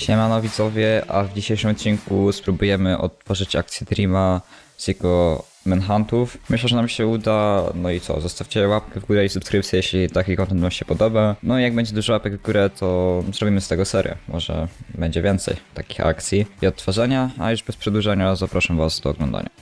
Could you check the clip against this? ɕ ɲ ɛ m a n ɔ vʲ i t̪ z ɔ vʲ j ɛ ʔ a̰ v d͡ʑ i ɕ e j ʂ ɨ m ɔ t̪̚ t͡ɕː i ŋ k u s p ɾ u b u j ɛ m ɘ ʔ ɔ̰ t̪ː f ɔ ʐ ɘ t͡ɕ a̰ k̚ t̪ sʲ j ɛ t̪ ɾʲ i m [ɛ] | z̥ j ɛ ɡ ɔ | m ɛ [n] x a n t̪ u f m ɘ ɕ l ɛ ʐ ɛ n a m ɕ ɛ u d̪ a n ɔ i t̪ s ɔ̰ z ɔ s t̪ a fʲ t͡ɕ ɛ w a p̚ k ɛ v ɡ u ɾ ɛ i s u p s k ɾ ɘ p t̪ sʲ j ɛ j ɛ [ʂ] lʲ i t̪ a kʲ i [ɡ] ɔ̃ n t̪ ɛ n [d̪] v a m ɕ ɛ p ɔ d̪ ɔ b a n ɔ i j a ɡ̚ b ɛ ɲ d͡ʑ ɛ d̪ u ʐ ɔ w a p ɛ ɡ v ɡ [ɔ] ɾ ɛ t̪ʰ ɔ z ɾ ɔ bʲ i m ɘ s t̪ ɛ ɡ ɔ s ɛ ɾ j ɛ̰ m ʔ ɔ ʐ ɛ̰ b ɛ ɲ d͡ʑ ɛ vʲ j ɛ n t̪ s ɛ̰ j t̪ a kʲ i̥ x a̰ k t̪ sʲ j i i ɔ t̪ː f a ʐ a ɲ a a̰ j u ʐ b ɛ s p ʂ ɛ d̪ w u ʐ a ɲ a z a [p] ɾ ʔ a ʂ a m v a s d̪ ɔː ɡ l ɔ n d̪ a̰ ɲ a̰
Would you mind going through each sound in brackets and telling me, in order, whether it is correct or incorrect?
incorrect: a, correct, incorrect: ɕ, incorrect: k, incorrect: t̪, incorrect: u, correct

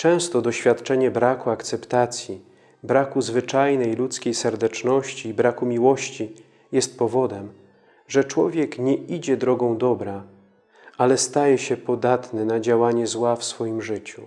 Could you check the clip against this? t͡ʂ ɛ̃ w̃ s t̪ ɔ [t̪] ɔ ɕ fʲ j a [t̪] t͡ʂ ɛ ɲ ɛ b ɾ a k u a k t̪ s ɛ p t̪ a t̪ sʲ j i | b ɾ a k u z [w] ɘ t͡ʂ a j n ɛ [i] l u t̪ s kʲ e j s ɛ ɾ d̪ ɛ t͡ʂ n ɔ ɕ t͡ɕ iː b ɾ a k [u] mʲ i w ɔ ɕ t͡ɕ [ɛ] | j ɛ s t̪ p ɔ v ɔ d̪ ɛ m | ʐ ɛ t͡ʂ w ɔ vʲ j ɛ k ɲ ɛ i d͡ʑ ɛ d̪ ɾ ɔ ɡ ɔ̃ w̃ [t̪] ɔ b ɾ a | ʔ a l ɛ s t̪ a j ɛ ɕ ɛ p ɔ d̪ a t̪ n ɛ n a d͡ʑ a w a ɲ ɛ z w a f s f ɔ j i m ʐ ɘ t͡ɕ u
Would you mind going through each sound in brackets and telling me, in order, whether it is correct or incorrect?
incorrect: d̪, correct, incorrect: v, incorrect: j, correct, incorrect: i, incorrect: d̪

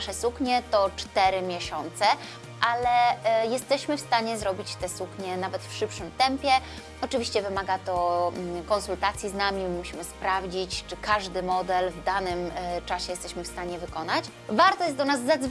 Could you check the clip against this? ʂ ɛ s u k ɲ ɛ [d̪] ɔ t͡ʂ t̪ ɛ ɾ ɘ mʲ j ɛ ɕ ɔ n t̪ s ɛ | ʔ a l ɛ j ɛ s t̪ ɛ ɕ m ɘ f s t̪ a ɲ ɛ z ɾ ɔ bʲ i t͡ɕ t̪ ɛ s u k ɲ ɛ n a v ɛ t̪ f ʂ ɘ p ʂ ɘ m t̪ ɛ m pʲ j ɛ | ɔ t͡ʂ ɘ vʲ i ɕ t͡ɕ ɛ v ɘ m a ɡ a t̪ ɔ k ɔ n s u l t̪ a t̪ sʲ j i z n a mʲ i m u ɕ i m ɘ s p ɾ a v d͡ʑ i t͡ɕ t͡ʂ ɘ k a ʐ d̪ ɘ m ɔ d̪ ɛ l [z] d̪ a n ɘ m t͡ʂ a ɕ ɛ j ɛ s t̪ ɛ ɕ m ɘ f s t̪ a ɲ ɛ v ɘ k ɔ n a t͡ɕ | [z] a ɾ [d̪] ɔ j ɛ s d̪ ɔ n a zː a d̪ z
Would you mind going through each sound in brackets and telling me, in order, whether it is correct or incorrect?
incorrect: t̪, incorrect: v, incorrect: v, incorrect: t̪

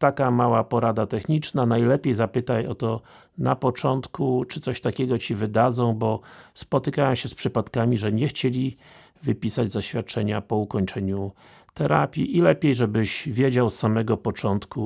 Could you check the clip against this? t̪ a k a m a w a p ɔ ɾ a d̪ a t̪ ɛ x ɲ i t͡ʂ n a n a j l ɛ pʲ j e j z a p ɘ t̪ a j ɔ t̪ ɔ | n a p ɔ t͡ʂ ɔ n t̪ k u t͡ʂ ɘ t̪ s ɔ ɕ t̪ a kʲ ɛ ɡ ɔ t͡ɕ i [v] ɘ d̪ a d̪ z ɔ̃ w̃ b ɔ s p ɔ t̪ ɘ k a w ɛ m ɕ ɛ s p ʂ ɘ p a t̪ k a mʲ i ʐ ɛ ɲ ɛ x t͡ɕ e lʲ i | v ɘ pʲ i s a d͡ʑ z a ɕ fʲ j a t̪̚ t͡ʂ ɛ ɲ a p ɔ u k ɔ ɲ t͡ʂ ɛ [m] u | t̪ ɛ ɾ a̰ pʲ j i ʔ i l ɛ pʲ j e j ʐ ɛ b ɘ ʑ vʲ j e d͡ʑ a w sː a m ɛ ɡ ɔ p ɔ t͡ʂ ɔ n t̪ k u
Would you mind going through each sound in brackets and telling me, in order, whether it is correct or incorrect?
correct, incorrect: ɲ

